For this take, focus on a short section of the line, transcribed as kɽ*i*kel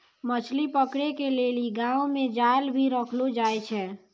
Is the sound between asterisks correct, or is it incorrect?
incorrect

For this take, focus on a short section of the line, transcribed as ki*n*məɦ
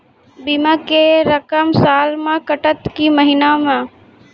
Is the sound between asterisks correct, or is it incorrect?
incorrect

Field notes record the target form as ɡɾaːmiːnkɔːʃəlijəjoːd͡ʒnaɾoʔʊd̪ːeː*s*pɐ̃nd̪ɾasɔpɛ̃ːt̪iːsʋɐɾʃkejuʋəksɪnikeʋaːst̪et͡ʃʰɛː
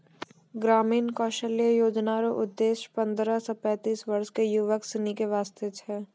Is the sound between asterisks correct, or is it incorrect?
incorrect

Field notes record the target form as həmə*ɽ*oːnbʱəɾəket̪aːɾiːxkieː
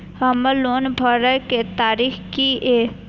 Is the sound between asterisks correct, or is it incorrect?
incorrect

